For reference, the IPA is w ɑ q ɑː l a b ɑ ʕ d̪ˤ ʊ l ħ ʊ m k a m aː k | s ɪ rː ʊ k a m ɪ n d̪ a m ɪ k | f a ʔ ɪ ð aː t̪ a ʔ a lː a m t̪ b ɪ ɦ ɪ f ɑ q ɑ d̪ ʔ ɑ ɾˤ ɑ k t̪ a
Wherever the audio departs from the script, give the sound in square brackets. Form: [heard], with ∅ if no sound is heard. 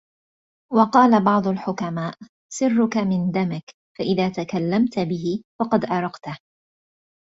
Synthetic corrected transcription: w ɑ q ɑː l a b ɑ ʕ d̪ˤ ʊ l ħ ʊ [∅] k a m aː [ʔ] | s ɪ rː ʊ k a m ɪ n d̪ a m ɪ k | f a ʔ ɪ ð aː t̪ a [k] a lː a m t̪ b ɪ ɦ ɪ f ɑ q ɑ d̪ ʔ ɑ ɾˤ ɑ [q] t̪ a